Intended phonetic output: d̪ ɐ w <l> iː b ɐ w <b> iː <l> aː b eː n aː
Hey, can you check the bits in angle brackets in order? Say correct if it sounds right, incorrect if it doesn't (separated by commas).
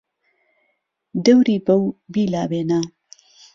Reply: incorrect, correct, correct